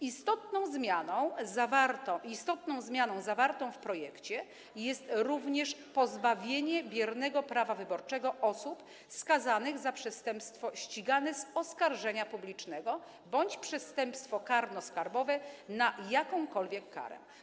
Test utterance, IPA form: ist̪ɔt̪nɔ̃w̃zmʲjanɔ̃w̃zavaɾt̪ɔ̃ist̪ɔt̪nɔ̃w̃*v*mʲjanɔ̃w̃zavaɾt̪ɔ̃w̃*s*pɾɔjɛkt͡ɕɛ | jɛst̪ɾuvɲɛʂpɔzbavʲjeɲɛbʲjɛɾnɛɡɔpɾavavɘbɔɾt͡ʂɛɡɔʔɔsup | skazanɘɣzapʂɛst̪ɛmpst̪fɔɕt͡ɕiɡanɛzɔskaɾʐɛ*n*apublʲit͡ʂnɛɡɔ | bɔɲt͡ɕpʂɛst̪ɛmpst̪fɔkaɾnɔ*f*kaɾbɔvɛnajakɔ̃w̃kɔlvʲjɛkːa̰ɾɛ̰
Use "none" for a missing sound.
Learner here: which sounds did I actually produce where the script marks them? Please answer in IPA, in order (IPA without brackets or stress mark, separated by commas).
z, f, ɲ, s